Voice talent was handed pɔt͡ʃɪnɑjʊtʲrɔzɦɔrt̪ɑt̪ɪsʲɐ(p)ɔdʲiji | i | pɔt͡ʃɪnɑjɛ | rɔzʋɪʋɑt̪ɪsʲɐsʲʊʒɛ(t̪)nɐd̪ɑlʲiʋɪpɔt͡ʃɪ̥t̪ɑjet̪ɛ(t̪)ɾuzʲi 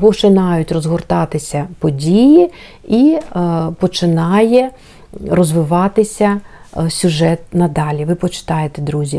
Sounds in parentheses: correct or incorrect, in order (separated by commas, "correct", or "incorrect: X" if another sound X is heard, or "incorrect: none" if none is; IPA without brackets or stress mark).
correct, correct, incorrect: d̪